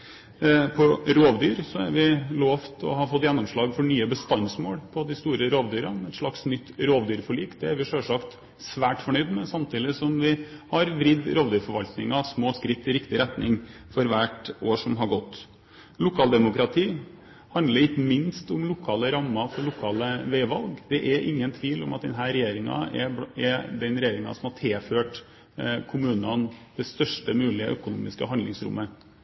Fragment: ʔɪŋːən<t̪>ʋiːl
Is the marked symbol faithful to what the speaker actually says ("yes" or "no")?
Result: no